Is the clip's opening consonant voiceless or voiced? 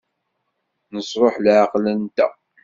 voiced